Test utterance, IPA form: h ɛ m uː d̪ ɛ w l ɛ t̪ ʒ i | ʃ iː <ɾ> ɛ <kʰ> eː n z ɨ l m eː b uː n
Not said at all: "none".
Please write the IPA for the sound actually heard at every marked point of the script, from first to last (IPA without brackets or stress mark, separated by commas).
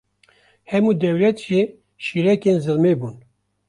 ɾ, k